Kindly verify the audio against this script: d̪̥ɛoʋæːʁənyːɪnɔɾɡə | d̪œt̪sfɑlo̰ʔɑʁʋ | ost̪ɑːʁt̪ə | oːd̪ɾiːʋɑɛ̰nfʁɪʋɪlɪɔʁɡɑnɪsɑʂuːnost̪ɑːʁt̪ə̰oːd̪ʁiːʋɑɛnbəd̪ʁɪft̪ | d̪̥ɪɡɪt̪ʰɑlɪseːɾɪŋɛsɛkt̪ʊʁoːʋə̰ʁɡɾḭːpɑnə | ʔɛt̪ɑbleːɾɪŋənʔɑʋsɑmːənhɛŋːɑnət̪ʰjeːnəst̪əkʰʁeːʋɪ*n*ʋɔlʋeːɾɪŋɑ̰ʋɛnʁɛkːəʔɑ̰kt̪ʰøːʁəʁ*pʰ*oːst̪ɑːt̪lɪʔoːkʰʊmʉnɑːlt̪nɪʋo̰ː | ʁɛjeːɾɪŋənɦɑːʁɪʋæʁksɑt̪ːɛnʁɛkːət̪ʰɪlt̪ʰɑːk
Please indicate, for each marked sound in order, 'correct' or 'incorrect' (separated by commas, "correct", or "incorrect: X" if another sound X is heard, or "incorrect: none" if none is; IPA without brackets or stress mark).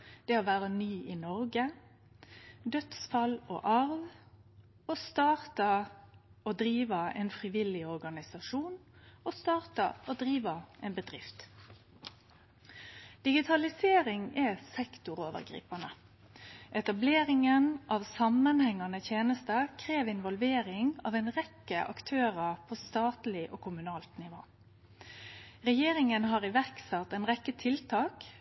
correct, correct